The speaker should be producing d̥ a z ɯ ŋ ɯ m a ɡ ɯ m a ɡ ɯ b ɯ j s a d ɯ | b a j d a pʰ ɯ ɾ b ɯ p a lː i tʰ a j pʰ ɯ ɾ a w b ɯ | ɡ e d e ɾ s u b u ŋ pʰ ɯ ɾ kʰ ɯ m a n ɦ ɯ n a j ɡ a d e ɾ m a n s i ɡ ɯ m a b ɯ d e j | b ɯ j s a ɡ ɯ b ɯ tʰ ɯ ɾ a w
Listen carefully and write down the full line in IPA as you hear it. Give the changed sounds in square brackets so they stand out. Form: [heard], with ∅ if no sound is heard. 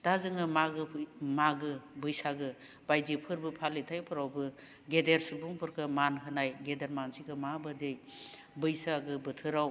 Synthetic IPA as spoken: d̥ a z ɯ ŋ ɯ m a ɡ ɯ m a ɡ ɯ b ɯ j s a [ɡ] ɯ | b a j d [i] pʰ ɯ ɾ b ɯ [pʰ] a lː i tʰ a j pʰ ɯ ɾ a w b ɯ | ɡ e d e ɾ s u b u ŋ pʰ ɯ ɾ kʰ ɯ m a n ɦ ɯ n a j ɡ [e] d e ɾ m a n s i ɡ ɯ m a b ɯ d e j | b ɯ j s a ɡ ɯ b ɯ tʰ ɯ ɾ a w